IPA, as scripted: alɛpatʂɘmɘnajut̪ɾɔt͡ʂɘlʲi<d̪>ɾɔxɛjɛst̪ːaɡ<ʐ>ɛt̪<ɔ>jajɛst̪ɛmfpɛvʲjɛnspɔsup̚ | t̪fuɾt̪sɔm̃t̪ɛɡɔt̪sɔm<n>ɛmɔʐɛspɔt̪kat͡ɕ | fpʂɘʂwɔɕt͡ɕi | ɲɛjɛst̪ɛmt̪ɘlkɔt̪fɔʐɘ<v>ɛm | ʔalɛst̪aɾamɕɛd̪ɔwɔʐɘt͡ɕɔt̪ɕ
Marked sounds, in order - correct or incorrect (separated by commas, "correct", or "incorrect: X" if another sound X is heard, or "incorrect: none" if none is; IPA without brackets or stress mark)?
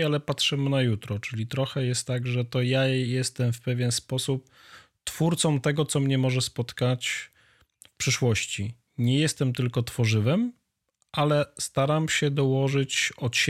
incorrect: t̪, correct, correct, incorrect: ɲ, correct